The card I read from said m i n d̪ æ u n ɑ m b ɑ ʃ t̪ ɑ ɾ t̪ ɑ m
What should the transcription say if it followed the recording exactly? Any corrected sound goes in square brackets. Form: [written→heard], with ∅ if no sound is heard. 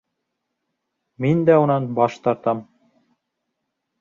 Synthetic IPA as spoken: m i n d̪ æ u n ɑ [m→n] b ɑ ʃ t̪ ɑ ɾ t̪ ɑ m